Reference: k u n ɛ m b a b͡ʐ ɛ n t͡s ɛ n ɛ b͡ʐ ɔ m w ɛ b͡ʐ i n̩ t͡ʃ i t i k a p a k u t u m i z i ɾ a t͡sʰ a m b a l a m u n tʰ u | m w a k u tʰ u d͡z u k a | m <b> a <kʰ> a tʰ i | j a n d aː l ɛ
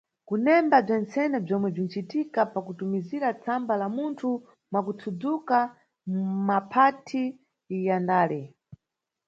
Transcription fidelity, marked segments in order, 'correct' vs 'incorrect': incorrect: m, incorrect: pʰ

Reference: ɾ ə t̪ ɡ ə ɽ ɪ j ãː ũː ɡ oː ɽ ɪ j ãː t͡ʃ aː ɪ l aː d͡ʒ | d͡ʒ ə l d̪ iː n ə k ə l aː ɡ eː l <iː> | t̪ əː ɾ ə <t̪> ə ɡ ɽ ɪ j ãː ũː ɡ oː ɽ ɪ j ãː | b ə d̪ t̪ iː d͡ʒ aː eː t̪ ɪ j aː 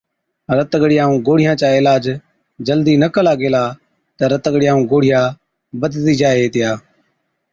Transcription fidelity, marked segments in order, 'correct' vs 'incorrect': incorrect: aː, correct

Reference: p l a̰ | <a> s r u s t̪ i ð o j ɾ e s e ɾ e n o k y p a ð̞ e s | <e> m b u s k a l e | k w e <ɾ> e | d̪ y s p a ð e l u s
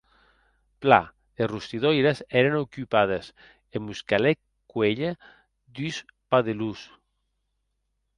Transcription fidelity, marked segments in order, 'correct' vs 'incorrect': incorrect: e, correct, incorrect: ʎ

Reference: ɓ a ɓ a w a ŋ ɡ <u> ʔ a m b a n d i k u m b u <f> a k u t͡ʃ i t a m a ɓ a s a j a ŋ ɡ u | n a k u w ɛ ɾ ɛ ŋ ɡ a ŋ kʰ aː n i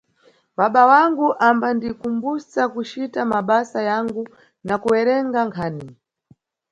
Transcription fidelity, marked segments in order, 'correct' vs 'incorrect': correct, incorrect: s

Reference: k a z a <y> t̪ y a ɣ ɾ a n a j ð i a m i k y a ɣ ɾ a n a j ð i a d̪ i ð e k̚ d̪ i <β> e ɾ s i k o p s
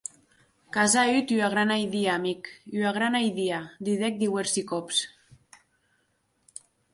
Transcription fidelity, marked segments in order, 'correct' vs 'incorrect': correct, incorrect: w

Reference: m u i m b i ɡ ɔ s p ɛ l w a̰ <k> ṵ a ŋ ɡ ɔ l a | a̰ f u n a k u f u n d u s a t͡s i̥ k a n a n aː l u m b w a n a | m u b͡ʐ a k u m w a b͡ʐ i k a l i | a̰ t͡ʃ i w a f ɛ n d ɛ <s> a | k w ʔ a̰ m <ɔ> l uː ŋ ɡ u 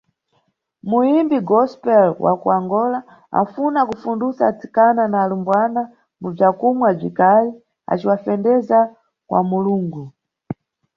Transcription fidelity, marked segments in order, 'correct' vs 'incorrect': correct, incorrect: z, incorrect: u

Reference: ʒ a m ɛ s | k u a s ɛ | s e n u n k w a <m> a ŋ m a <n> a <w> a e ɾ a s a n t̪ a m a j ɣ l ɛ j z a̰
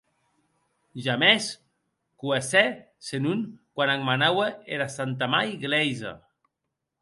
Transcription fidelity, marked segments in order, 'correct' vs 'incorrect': incorrect: n, correct, correct

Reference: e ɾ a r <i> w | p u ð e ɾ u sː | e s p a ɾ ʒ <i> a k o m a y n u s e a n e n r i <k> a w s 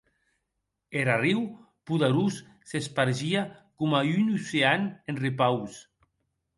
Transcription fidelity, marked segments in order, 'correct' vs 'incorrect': correct, correct, incorrect: p

